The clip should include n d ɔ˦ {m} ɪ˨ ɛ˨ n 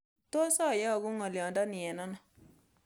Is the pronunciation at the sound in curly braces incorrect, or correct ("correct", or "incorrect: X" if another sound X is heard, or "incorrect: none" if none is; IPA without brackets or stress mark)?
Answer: incorrect: n